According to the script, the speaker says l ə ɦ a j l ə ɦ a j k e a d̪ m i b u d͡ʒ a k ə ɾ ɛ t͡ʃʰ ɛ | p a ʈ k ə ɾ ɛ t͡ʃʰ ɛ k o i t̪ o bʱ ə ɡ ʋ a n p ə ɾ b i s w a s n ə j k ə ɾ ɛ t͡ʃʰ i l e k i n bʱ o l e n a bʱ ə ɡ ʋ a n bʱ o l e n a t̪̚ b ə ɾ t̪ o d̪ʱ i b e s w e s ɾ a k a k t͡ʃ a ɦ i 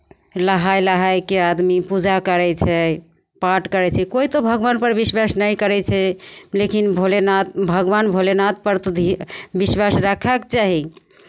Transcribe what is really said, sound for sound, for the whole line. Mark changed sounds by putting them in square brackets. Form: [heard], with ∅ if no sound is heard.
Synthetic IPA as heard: l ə ɦ a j l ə ɦ a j k e a d̪ m i [p] u d͡ʒ a k ə ɾ ɛ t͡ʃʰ ɛ | p a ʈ k ə ɾ ɛ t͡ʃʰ ɛ k o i t̪ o bʱ ə ɡ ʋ a n p ə ɾ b i s w a s n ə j k ə ɾ ɛ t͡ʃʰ [ɛ] l e k i n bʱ o l e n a bʱ ə ɡ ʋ a n bʱ o l e n a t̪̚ [p] ə ɾ t̪ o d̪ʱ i b [i] s w [a] s ɾ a [kʰ] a k t͡ʃ a ɦ i